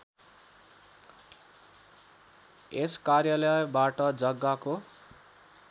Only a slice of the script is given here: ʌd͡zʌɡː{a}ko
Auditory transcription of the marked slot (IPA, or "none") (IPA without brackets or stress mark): a